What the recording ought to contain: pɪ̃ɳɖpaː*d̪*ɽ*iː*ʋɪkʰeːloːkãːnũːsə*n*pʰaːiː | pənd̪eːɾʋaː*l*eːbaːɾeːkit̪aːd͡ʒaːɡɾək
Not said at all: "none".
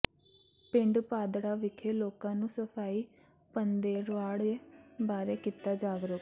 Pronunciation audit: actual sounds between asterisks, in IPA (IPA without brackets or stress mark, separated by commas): d̪, aː, none, ɽ